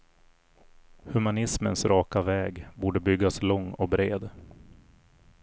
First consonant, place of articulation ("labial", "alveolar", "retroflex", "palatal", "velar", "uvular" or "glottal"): glottal